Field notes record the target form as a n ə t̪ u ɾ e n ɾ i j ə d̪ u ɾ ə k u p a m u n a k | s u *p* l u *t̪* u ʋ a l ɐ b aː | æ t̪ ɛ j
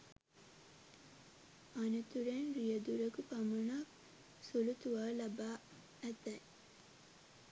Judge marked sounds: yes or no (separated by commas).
no, yes